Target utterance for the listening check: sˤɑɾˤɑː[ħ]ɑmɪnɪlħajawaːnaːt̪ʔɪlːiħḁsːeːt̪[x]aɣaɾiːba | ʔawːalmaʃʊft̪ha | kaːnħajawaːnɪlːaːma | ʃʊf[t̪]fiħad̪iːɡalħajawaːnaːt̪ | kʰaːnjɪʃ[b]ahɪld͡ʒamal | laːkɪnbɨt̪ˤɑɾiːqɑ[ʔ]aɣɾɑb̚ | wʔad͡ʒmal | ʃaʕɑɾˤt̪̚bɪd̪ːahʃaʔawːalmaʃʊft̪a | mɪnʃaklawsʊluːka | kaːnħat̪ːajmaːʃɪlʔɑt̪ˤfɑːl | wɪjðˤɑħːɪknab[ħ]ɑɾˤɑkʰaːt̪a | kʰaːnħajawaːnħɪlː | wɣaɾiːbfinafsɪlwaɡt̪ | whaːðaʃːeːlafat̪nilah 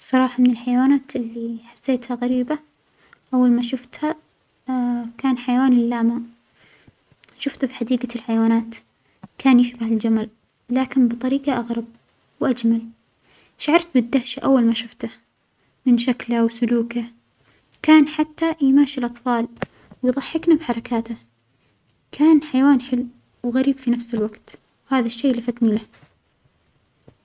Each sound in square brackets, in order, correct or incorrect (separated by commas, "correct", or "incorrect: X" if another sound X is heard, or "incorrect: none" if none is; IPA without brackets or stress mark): correct, incorrect: h, correct, correct, correct, correct